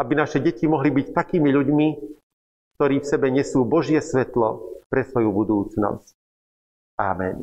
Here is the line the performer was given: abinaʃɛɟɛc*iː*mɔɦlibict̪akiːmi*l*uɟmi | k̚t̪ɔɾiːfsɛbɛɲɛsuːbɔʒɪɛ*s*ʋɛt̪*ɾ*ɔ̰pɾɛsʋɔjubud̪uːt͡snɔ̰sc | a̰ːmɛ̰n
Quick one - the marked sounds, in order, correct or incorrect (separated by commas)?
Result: incorrect, incorrect, correct, incorrect